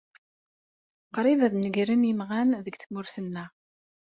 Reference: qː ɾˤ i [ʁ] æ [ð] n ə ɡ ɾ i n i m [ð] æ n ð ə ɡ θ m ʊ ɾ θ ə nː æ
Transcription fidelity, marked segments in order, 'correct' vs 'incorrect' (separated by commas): incorrect, correct, incorrect